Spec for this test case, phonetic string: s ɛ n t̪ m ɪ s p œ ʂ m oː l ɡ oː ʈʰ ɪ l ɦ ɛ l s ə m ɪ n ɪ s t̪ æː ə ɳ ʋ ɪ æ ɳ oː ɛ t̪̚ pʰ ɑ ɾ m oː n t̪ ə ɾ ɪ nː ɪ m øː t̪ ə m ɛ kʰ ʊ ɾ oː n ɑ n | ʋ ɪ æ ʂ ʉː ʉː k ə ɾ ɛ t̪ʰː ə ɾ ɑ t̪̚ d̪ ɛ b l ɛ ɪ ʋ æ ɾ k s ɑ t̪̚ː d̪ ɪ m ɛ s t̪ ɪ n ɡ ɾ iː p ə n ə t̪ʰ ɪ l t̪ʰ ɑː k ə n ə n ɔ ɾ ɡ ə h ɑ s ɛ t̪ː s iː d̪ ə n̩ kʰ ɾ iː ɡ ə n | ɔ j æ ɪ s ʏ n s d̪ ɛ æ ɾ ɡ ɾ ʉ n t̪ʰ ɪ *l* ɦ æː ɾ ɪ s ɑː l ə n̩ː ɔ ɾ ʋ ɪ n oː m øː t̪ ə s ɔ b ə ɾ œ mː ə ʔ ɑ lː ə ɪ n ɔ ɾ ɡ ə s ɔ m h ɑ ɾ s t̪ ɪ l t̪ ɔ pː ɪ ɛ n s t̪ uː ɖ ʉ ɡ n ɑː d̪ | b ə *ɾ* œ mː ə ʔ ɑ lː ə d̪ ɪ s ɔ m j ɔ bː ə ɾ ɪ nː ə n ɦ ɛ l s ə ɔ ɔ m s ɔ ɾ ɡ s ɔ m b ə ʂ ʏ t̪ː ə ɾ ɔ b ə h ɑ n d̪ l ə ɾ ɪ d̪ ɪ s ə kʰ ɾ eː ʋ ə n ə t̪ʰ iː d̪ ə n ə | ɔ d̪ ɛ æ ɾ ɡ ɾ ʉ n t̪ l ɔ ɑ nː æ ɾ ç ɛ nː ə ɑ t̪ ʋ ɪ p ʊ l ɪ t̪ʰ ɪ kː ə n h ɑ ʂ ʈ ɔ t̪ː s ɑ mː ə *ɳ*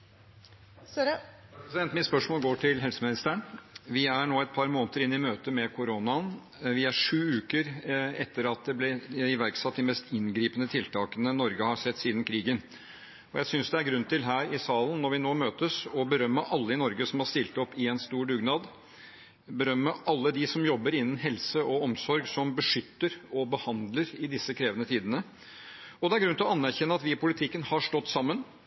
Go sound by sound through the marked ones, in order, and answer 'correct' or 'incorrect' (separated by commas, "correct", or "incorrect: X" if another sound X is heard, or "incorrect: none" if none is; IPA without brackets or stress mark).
correct, correct, incorrect: n